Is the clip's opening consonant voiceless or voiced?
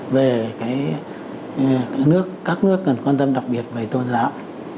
voiced